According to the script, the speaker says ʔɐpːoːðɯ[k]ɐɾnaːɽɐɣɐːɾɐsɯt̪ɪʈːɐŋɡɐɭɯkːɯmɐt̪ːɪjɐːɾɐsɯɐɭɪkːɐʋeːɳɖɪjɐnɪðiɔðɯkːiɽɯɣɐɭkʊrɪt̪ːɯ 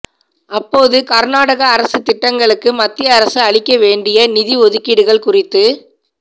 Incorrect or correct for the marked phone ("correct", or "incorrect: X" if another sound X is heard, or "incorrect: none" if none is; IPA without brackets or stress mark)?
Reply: correct